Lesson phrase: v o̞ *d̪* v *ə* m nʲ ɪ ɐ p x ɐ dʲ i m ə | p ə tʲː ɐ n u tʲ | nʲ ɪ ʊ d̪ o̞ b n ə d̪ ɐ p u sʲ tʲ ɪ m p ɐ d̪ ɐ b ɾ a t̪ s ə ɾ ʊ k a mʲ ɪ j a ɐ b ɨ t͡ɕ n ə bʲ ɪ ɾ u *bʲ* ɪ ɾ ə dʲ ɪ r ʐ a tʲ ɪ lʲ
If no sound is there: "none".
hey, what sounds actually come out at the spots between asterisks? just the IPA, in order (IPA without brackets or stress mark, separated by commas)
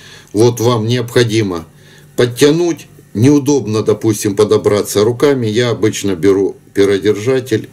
t̪, a, pʲ